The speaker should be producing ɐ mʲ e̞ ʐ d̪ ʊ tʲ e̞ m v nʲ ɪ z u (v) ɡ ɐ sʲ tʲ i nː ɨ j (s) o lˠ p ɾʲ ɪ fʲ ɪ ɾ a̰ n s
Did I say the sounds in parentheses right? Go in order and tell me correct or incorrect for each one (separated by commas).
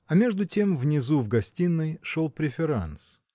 correct, incorrect